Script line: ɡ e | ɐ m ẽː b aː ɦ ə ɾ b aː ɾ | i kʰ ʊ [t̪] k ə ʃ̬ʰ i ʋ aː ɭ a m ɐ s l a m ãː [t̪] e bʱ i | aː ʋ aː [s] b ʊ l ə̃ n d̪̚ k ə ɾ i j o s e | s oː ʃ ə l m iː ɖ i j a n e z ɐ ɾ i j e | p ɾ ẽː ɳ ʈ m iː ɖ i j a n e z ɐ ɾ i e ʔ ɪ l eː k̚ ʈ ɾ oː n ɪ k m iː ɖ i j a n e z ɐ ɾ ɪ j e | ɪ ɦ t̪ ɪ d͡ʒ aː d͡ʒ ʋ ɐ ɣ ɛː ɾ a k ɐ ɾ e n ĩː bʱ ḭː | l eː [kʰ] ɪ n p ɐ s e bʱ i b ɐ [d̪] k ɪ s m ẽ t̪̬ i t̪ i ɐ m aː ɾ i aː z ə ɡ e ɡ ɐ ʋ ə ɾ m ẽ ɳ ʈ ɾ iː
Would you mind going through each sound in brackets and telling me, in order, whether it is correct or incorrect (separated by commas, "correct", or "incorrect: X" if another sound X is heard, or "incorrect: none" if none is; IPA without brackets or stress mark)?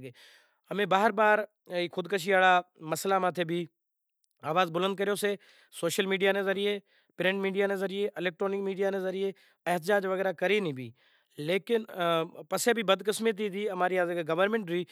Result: incorrect: d̪, incorrect: t̪ʰ, incorrect: z, incorrect: k, correct